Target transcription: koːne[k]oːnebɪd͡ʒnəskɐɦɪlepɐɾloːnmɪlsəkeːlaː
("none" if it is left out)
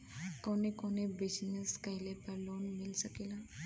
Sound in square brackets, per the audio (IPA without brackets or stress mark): k